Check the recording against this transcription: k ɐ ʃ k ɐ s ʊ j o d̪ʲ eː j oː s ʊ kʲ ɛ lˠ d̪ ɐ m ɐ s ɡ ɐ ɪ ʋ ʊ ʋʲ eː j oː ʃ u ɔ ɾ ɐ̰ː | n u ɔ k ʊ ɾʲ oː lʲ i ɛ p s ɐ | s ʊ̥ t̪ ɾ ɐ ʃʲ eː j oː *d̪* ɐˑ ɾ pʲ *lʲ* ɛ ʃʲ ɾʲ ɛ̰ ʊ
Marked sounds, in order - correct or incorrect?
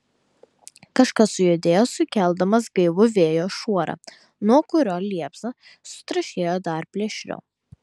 correct, correct

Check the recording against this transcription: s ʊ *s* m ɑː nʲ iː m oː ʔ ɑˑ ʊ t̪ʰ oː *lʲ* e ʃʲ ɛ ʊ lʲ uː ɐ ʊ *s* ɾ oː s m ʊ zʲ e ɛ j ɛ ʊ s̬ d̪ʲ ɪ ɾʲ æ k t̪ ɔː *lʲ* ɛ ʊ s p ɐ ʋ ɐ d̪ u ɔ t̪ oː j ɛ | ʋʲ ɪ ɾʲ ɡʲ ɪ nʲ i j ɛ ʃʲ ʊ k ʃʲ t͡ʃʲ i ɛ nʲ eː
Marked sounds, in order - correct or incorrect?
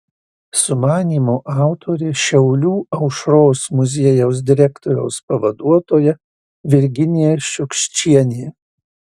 incorrect: none, incorrect: ɾʲ, incorrect: ʃ, incorrect: ɾʲ

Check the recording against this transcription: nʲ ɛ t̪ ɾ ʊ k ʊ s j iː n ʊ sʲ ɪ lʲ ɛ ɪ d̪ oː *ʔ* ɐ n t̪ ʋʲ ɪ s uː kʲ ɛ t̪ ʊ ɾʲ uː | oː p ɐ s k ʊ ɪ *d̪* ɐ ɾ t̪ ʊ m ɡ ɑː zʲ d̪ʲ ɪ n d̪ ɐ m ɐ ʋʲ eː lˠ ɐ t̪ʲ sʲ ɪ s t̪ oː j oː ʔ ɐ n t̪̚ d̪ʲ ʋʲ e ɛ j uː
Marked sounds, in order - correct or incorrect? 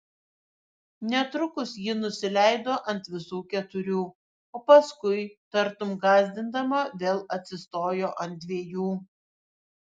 correct, incorrect: t̪

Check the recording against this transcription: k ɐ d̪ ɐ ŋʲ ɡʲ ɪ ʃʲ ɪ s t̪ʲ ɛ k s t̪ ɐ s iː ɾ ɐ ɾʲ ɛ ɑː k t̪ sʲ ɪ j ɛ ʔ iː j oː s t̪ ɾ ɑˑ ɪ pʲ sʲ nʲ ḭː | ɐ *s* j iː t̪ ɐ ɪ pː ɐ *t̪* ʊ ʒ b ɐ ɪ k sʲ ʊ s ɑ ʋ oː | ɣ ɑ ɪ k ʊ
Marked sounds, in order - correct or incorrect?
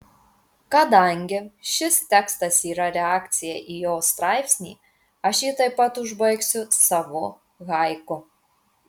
incorrect: ʃ, correct

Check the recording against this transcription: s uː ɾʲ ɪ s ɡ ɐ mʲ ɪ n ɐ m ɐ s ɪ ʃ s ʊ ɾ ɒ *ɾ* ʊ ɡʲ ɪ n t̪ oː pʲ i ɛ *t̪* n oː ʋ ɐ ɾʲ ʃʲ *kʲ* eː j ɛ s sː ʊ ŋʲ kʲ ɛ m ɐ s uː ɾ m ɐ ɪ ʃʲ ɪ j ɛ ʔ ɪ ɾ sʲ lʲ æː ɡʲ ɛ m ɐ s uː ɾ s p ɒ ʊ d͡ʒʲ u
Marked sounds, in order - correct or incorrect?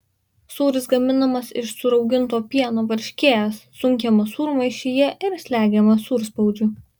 incorrect: none, incorrect: none, correct

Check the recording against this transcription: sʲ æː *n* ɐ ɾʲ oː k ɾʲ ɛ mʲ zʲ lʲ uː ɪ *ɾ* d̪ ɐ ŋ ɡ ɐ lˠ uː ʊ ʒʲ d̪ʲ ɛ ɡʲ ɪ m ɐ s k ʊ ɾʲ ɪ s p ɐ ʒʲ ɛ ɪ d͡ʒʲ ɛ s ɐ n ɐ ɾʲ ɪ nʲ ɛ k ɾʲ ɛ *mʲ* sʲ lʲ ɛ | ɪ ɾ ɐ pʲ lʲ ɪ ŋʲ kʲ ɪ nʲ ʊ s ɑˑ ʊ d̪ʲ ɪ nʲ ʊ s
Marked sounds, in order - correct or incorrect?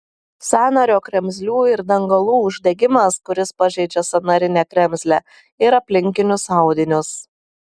correct, correct, correct

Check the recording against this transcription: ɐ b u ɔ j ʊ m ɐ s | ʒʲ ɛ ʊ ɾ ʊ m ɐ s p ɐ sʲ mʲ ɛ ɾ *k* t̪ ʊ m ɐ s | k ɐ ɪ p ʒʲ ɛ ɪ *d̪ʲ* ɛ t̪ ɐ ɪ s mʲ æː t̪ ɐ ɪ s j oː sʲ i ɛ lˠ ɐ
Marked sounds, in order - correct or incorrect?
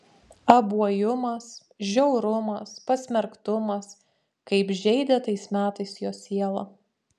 correct, correct

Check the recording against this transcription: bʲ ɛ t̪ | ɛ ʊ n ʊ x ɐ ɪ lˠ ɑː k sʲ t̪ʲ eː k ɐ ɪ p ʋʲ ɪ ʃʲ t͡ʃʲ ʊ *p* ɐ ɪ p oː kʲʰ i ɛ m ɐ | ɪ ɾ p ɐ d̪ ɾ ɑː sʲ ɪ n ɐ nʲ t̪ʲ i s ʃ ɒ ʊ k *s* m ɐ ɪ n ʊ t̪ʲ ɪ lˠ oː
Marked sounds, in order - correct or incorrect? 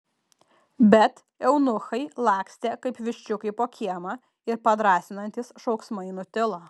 incorrect: k, correct

